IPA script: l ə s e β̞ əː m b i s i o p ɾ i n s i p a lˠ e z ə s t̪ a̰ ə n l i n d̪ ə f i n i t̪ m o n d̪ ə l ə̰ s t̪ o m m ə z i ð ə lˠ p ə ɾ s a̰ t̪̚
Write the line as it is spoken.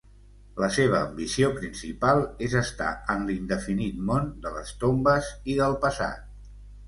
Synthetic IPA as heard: l ə s e β̞ əː m b i s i o p ɾ i n s i p a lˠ e z ə s t̪ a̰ ə n l i n d̪ ə f i n i t̪ m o n d̪ ə l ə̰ s t̪ o m b ə z i ð ə lˠ p ə s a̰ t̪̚